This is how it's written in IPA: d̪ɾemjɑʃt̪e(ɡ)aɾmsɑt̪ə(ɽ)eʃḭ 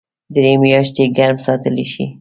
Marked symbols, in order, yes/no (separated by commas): yes, no